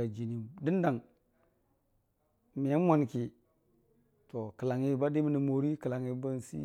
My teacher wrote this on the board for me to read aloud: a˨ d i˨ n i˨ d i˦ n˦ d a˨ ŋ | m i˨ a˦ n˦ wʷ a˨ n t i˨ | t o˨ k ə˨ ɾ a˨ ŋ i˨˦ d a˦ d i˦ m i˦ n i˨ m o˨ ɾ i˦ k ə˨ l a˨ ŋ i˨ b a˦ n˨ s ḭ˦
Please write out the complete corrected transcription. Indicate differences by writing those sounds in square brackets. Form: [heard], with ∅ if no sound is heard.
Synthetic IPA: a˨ [d͡ʒ] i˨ n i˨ d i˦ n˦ d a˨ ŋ | m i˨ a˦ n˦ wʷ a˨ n [k] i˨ | t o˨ k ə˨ [l] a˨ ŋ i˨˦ [b] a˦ d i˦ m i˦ n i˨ m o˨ ɾ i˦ k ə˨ l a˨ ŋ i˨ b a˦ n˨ s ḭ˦